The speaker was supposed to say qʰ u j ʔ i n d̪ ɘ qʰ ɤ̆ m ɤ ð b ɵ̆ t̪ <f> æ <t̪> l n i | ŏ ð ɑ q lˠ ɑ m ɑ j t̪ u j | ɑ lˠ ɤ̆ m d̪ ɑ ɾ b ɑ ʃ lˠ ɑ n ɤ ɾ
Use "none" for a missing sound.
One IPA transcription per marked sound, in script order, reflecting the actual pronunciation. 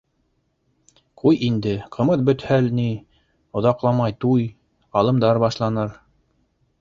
h, none

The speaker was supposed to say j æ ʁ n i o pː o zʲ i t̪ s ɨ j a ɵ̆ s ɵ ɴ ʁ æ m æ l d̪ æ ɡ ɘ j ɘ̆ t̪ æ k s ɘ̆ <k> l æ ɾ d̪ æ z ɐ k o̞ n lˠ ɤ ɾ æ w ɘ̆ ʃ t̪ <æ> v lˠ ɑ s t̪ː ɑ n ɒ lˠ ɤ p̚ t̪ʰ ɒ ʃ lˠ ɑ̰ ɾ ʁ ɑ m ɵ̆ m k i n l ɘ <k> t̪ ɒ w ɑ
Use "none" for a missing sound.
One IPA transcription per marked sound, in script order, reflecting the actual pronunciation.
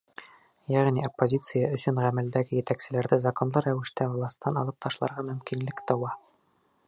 none, æ, k

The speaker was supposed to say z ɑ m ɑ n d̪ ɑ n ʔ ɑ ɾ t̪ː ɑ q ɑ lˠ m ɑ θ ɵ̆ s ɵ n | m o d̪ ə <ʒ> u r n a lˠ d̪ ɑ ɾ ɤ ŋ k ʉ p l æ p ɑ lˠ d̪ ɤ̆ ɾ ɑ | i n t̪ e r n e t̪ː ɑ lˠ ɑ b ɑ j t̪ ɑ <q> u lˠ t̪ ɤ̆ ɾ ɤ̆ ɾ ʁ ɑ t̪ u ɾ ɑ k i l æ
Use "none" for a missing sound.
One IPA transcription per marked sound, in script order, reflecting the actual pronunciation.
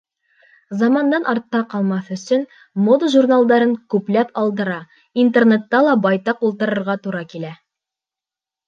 ʒ, q

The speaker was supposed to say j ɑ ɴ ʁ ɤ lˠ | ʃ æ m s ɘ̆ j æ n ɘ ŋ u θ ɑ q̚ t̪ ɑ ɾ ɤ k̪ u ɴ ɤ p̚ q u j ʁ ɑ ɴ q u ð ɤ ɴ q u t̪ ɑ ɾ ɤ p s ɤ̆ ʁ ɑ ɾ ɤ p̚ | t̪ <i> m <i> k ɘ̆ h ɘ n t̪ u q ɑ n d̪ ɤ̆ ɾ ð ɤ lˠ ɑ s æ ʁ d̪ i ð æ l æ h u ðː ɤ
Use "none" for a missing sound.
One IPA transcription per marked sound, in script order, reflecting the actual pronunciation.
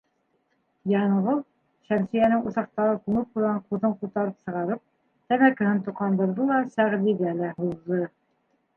æ, æ

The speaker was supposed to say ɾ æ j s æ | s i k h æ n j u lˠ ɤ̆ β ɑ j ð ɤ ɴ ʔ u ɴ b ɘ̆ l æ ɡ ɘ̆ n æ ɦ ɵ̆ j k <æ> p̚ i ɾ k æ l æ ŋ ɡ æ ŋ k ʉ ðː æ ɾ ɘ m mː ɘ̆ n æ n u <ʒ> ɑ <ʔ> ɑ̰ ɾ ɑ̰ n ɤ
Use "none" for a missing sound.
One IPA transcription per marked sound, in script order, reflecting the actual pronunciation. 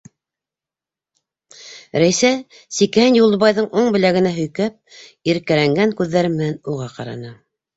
æ, ʁ, q

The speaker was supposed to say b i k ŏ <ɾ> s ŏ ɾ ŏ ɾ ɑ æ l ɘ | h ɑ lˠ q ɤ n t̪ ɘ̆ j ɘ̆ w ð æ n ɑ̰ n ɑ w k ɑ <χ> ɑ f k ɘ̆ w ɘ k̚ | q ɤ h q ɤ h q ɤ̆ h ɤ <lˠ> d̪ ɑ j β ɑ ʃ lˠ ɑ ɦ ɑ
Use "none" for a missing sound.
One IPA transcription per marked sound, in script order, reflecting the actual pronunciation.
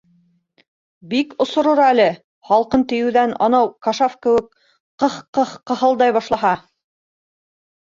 none, ʃ, lˠ

